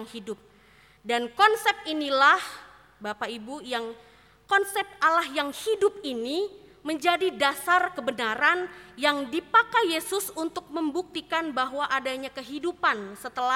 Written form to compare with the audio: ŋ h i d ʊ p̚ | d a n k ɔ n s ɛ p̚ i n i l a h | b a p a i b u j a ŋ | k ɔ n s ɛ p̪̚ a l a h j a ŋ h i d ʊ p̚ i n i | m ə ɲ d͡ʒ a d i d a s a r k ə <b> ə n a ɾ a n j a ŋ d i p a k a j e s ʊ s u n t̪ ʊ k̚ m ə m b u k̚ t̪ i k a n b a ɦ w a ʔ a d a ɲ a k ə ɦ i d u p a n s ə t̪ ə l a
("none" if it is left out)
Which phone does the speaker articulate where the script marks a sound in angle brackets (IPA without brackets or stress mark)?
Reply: b